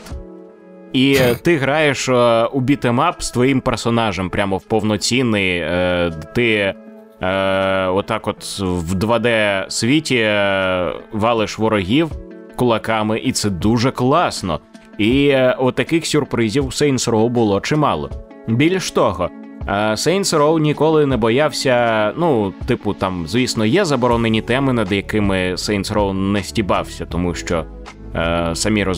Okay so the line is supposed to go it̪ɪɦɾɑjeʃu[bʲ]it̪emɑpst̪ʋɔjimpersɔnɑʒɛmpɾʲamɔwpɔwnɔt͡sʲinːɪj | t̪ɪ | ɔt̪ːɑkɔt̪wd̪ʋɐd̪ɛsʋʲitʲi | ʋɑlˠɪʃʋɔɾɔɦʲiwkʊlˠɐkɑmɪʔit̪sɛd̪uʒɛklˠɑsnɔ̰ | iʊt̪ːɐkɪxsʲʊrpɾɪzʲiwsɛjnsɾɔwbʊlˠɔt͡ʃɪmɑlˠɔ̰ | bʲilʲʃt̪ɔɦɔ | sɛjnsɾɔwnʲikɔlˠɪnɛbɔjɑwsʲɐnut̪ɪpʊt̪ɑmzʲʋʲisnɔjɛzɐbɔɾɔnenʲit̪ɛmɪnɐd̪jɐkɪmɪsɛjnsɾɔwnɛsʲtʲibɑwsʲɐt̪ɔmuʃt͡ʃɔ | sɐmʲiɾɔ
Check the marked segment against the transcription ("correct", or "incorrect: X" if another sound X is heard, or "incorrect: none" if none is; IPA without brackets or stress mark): correct